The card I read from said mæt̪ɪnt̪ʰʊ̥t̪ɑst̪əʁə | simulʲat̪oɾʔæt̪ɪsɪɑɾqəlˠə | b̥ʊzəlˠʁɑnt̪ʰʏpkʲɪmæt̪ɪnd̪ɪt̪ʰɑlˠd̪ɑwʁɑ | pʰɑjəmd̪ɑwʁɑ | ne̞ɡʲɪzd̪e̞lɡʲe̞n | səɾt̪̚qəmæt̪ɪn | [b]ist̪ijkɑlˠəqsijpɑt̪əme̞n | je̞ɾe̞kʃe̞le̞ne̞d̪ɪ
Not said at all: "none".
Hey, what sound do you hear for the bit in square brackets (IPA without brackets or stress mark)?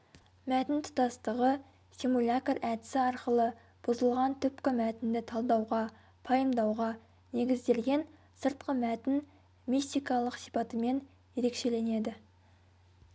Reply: m